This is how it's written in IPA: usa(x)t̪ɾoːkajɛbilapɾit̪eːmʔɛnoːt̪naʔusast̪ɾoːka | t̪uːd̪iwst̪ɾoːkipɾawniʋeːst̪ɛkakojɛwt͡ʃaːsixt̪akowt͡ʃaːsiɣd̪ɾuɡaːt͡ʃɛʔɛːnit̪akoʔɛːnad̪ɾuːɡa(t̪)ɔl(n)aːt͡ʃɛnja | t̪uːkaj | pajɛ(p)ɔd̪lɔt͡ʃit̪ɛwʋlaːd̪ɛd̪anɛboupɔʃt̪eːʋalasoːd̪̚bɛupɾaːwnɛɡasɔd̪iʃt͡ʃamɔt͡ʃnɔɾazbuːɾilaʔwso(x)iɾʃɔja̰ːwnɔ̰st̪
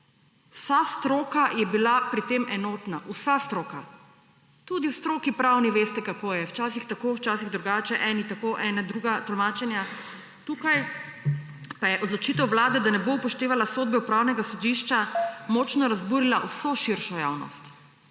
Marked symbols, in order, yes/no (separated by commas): no, yes, no, no, no